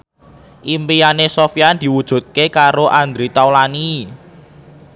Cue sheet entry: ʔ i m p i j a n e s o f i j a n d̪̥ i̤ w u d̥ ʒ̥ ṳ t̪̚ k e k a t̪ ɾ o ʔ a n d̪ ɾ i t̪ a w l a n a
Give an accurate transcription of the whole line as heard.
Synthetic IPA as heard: ʔ i m p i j a n e s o f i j a n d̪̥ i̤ w u d̥ ʒ̥ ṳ t̪̚ k e k a ɾ o ʔ a n d̪ ɾ i t̪ a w l a n i